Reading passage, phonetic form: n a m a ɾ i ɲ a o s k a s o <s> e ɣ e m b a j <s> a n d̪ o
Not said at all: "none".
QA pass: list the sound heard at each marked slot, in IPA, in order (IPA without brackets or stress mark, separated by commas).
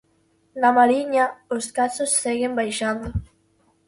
sː, ʃ